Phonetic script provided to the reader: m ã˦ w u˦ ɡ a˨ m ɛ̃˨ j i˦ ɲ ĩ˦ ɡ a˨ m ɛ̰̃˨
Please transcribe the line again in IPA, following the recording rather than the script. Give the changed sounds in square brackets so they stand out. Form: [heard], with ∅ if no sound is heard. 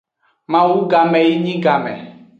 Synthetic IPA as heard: m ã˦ w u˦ ɡ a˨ m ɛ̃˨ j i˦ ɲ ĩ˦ ɡ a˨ m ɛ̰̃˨

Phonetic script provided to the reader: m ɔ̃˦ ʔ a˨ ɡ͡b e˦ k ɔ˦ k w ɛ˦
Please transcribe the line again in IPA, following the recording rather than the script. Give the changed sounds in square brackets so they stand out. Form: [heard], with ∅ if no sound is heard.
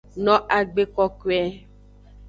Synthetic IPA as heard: [n] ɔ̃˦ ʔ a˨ ɡ͡b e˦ k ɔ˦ k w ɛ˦

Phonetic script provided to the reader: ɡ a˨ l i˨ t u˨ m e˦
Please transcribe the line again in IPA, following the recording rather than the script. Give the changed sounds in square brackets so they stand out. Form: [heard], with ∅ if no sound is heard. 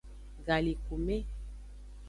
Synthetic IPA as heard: ɡ a˨ l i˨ [k] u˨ m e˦

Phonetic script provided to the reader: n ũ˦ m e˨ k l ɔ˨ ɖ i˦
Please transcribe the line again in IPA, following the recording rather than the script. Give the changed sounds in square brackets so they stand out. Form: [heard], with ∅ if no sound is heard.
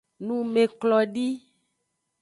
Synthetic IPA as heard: n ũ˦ m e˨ k l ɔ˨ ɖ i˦

